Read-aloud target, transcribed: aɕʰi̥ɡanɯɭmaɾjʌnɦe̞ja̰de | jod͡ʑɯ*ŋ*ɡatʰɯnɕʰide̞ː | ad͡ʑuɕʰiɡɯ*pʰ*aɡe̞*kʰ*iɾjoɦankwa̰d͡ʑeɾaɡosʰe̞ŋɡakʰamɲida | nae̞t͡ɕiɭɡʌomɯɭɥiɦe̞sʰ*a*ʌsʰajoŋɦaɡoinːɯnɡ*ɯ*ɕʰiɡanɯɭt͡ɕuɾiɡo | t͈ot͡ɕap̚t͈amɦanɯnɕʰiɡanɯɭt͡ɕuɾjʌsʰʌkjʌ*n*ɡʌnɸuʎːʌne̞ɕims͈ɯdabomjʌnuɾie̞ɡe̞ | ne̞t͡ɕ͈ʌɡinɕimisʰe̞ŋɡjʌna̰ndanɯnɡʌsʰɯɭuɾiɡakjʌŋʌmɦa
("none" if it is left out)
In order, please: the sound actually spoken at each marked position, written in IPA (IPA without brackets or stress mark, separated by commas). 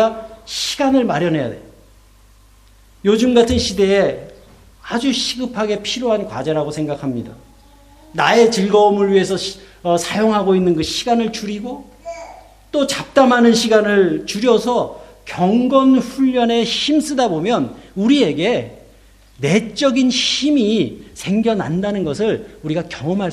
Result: m, pʰ, pʰ, ʌ, ɯ, ŋ